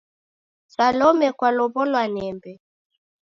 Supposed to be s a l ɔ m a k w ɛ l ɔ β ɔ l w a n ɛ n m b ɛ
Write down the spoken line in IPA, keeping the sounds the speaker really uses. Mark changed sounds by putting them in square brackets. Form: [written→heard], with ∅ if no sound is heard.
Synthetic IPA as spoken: s a l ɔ m [a→ɛ] k w [ɛ→a] l ɔ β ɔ l w a n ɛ [n→∅] m b ɛ